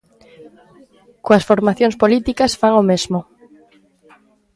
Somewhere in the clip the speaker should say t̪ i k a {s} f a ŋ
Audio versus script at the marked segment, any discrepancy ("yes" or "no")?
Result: no